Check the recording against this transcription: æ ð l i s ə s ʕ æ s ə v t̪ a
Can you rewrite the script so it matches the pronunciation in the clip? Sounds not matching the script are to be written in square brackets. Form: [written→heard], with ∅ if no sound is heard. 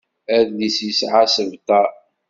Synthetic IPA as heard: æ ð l i s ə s ʕ [æ→a] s ə v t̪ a